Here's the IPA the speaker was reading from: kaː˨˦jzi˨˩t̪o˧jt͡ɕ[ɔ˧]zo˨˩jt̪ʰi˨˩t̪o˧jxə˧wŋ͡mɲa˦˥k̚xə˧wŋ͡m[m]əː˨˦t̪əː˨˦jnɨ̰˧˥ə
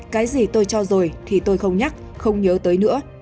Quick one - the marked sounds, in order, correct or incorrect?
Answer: correct, incorrect

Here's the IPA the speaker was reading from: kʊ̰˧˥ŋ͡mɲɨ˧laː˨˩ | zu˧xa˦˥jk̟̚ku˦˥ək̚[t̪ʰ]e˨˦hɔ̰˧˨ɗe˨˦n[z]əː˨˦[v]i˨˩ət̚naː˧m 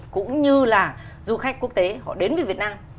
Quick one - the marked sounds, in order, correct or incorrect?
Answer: incorrect, incorrect, correct

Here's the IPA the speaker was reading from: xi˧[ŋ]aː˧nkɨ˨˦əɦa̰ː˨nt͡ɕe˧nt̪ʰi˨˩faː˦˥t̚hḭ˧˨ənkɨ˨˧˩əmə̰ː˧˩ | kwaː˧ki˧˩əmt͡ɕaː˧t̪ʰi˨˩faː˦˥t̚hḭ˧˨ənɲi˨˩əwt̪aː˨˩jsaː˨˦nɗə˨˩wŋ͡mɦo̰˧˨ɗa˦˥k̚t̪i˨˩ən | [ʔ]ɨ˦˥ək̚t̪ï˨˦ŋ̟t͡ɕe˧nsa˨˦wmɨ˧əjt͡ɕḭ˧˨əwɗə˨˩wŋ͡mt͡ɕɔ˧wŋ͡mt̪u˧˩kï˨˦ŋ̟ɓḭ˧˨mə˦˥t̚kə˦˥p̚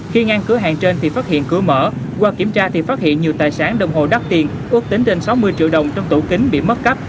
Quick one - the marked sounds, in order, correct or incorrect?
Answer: correct, correct

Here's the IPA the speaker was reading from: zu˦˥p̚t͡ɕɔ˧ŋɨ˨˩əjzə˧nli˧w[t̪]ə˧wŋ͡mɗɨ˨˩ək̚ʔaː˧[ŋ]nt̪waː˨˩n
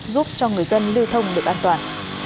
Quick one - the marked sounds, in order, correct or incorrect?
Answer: incorrect, incorrect

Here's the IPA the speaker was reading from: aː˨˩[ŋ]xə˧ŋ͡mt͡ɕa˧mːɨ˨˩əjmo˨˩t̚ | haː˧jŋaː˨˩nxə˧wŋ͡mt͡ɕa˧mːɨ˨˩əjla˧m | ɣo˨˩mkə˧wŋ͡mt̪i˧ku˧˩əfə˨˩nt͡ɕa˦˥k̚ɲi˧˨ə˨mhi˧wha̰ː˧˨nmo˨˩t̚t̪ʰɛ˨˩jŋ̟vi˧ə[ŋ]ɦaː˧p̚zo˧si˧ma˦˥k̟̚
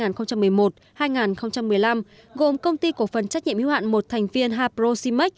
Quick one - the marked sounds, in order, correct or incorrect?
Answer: incorrect, incorrect

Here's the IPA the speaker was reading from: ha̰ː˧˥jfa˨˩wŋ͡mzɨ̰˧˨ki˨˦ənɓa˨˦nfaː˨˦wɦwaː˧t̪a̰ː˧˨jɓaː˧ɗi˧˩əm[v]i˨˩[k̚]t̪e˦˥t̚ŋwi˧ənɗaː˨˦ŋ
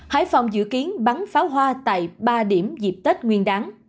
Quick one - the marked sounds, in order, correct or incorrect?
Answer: incorrect, incorrect

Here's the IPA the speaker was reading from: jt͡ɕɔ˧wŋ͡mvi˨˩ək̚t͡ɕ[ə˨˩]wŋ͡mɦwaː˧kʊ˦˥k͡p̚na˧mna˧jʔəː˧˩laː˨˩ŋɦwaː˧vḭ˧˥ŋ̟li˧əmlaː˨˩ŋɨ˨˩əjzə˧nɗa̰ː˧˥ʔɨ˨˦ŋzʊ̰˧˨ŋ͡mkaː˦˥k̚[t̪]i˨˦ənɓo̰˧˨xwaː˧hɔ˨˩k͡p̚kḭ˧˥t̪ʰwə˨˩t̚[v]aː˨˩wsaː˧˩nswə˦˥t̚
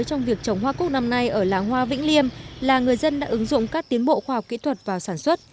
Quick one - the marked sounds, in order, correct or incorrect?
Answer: correct, correct, correct

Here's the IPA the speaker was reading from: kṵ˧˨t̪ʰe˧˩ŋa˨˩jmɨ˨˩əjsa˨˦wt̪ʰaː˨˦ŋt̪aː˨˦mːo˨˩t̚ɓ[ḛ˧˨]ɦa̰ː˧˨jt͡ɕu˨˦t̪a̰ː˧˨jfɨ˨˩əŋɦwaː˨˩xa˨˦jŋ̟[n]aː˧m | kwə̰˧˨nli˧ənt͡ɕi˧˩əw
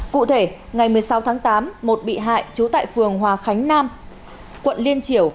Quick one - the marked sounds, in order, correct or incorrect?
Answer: incorrect, correct

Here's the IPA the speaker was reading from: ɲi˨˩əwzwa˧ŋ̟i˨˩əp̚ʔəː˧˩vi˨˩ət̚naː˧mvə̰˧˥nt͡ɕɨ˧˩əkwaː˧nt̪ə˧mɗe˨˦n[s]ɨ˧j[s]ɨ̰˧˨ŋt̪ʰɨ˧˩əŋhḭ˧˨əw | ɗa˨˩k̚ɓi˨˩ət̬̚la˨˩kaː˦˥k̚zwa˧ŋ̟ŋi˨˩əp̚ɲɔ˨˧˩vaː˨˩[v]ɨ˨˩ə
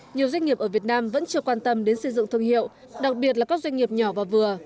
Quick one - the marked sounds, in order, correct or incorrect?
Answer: correct, incorrect, correct

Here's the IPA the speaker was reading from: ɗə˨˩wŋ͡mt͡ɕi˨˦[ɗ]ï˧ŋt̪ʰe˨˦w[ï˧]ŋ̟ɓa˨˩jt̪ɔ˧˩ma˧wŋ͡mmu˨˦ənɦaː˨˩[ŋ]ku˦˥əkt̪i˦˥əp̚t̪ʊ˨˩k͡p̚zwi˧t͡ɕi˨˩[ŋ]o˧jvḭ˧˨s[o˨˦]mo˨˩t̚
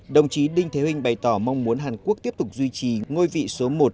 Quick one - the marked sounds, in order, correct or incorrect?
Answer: correct, correct, incorrect, correct, correct

